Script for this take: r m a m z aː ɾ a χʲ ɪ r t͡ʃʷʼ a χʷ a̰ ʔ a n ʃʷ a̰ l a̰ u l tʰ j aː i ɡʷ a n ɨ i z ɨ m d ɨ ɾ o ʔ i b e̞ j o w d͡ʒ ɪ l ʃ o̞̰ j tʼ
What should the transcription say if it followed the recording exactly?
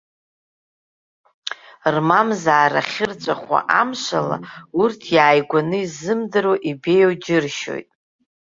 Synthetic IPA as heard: r m a m z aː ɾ a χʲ ɪ r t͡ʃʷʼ a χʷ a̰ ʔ a m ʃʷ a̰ l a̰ u r tʰ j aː j ɡʷ a n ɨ i z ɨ m d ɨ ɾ o ʔ i b e̞ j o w d͡ʒ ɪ r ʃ o̞̰ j tʼ